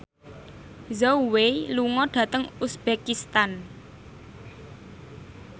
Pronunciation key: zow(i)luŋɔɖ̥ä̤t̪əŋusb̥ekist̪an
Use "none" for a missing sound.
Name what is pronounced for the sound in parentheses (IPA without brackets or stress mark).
e